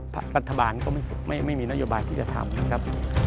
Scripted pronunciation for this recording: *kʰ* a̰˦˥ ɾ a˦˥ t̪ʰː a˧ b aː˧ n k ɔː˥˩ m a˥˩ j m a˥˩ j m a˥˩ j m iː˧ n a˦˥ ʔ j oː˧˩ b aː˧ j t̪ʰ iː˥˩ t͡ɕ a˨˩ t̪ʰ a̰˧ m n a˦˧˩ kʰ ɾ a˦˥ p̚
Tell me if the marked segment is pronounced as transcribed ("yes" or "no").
no